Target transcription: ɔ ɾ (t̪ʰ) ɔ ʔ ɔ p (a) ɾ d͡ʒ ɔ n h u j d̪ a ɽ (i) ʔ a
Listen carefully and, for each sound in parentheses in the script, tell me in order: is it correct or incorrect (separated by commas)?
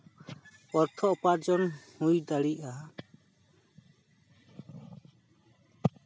correct, correct, correct